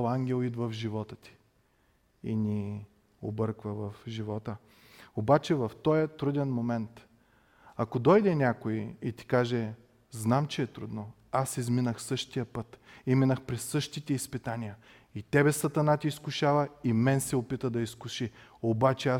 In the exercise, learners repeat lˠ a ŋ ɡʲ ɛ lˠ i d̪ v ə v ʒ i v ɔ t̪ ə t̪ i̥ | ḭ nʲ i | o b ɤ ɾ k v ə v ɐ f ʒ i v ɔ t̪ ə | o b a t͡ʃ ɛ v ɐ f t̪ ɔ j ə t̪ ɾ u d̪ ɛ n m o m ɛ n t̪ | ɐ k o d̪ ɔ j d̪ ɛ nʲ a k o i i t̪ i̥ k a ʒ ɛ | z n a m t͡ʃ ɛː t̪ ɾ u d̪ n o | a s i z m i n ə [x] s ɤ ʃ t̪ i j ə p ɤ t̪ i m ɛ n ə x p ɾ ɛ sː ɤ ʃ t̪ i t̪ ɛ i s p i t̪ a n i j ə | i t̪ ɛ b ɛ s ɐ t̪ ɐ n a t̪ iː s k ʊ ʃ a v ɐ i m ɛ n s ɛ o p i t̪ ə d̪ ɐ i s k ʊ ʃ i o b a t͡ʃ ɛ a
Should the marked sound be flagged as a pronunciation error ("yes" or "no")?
no